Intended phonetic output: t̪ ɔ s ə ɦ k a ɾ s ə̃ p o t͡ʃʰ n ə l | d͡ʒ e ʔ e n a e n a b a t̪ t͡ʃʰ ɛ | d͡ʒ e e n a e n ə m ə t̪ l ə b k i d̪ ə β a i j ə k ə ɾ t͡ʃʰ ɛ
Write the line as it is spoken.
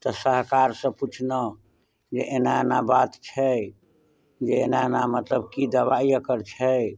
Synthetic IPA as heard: t̪ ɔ s ə ɦ k a ɾ s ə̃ p u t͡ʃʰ n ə | d͡ʒ e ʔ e n a e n a b a t̪ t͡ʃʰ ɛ | d͡ʒ e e n a e n a m ə t̪ l ə b k i d̪ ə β a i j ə k ə ɾ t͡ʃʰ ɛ